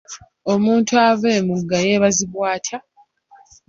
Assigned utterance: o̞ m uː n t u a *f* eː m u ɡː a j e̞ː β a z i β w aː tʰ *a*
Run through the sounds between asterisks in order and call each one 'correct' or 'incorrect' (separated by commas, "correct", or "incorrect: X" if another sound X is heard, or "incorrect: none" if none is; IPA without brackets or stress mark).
incorrect: v, correct